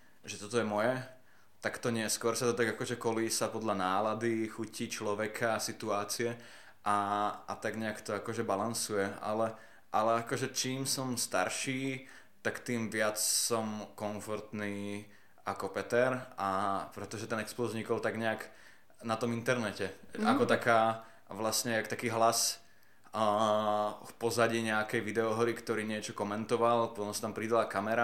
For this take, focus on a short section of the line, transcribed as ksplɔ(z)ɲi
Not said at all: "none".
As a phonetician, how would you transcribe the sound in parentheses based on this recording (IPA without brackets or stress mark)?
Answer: z